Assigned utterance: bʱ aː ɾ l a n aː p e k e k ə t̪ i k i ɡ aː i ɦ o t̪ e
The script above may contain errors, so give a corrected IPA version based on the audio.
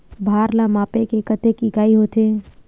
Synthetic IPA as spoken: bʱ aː ɾ l a m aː p e k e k ə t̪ e k i ɡ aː i ɦ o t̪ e